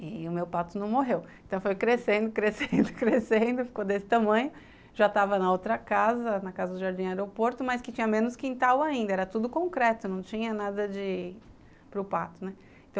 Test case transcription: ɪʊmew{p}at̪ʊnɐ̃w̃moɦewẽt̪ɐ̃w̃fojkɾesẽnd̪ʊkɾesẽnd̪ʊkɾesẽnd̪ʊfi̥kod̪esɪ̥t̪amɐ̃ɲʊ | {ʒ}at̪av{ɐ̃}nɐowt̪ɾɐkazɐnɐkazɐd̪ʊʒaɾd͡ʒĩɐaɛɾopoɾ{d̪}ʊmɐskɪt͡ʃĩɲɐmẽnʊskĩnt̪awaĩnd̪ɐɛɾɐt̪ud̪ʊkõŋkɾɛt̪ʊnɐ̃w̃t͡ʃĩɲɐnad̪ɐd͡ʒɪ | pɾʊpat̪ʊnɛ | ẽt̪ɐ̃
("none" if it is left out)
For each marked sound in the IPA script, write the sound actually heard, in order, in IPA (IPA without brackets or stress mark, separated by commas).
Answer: p, ʒ, ɐ, t̪